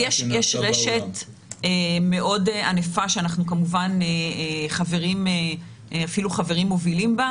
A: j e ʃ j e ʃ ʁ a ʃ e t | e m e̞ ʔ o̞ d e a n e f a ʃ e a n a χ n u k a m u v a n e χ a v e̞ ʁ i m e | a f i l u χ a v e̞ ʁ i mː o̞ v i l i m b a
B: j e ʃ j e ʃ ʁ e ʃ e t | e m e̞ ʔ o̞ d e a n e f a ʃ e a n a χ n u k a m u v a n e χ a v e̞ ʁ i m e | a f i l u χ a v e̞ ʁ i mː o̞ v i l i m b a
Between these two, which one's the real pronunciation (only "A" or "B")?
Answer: B